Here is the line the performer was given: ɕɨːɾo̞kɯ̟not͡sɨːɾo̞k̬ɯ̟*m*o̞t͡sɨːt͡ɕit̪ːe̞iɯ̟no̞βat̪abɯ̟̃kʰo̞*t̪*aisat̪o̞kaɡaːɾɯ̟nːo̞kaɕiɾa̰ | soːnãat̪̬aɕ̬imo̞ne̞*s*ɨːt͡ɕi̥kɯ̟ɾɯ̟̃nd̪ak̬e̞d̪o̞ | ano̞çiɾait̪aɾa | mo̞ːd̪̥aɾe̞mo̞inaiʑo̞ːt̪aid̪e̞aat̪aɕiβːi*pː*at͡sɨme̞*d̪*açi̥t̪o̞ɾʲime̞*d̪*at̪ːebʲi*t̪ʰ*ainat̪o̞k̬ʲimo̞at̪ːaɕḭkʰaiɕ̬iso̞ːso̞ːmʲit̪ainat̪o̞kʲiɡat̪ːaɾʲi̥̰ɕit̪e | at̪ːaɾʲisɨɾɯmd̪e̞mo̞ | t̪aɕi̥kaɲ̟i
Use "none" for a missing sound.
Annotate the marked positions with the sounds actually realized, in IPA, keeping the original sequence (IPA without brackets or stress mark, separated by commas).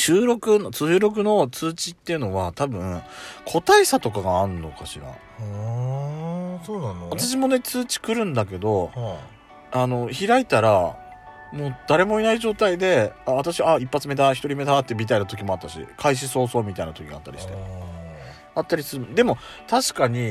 n, t̪, t͡s, pː, d̪, d̪, t̪